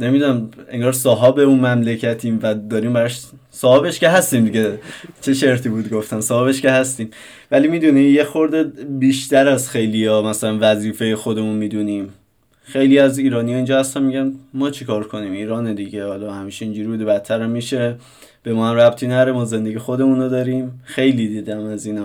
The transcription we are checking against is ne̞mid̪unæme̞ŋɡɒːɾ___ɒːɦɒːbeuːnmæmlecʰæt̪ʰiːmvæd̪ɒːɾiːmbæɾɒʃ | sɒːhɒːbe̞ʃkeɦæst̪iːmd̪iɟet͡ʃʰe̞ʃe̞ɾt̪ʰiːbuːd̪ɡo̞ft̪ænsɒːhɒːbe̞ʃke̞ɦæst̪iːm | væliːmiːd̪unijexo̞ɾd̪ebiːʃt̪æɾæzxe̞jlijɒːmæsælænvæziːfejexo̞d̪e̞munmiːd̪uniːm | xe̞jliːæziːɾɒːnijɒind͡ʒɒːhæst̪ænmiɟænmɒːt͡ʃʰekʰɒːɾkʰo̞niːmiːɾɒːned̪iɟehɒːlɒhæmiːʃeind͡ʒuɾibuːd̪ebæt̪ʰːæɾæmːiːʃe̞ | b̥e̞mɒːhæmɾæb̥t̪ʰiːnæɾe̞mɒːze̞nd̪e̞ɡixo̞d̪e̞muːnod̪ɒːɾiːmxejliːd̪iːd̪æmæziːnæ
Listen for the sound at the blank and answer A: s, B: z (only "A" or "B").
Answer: A